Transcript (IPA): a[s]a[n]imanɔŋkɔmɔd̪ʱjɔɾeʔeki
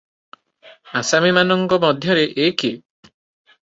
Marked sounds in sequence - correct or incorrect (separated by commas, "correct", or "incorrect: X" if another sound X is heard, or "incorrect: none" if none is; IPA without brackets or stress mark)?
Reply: correct, incorrect: m